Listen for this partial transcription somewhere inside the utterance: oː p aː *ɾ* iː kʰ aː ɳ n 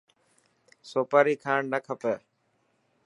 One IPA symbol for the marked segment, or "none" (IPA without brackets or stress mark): ɾ